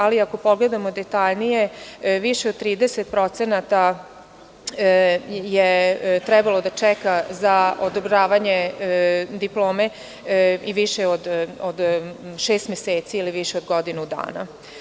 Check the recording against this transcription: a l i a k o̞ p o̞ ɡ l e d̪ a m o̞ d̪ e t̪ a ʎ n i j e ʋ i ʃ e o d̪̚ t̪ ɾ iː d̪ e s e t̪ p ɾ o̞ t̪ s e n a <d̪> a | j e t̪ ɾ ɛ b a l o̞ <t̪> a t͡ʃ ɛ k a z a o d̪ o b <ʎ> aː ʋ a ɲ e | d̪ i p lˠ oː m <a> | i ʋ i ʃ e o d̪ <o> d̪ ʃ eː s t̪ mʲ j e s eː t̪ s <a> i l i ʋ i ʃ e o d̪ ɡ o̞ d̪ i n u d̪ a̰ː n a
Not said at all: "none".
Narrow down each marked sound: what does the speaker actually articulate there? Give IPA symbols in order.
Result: t̪, d̪, ɾ, e, o, i

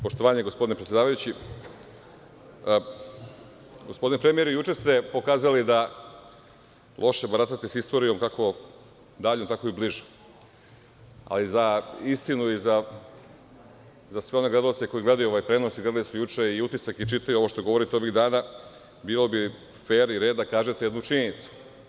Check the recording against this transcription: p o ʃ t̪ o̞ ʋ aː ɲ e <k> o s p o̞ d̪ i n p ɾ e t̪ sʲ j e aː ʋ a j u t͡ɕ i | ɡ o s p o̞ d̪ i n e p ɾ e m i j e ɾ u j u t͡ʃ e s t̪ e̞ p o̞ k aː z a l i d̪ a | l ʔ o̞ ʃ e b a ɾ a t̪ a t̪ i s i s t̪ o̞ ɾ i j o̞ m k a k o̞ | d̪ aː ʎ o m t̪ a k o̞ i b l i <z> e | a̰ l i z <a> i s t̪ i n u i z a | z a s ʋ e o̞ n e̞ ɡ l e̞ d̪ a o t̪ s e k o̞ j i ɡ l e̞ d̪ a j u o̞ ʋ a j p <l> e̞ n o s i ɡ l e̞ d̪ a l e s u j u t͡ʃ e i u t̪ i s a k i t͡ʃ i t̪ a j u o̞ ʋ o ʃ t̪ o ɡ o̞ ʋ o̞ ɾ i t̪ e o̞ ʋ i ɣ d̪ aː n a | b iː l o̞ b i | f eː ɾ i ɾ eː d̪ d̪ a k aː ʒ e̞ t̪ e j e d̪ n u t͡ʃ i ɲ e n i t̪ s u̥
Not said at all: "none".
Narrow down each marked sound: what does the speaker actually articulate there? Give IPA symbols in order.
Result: ɡ, ʒ, a, ɾ

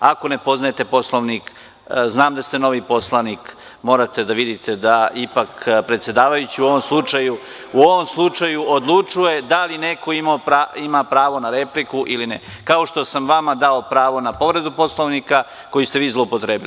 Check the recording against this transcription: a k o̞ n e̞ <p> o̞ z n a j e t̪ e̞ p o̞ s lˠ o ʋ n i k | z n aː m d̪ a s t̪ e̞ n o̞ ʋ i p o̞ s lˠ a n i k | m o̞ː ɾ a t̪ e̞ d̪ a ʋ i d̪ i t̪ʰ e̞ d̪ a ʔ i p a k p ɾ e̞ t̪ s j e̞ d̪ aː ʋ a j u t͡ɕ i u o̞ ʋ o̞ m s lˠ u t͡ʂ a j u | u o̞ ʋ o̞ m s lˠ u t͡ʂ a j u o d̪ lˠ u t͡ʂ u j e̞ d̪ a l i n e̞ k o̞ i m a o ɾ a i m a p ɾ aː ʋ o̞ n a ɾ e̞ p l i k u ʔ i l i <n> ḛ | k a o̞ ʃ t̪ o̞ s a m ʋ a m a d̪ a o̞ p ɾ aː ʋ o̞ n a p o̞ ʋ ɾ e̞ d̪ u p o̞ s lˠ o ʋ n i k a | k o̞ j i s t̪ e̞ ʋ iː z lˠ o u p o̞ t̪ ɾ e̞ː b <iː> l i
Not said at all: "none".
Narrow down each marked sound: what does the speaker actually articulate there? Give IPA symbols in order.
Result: p, n, i

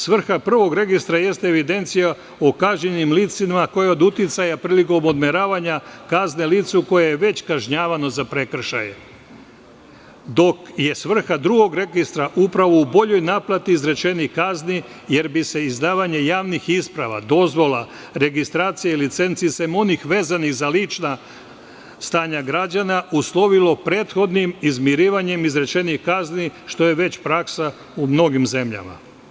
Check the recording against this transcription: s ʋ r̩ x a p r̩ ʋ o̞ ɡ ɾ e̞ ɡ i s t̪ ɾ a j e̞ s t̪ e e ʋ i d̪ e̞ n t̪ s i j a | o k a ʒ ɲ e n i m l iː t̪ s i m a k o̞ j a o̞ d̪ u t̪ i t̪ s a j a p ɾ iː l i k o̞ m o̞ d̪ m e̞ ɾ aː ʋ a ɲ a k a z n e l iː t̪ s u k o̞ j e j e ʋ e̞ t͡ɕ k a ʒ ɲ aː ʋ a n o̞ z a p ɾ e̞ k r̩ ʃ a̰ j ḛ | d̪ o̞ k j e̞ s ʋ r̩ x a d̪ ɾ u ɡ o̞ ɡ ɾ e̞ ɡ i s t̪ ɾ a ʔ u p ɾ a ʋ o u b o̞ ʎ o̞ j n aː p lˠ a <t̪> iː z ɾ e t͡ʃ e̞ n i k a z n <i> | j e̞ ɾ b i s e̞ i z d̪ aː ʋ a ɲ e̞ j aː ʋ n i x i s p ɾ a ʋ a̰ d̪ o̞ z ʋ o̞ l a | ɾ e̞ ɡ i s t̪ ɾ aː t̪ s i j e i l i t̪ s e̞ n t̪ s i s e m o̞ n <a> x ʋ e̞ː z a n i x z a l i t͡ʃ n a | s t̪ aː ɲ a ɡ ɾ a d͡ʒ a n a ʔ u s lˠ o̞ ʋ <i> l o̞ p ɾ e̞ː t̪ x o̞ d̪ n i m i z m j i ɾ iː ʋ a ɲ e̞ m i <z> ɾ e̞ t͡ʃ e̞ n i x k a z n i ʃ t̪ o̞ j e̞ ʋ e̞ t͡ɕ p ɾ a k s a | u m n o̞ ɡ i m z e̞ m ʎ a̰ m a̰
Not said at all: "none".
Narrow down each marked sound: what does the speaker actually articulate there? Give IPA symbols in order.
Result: t̪, i, i, i, z

